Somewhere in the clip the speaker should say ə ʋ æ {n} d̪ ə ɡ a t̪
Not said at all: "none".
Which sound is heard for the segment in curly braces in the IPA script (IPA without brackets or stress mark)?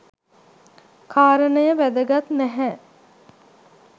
none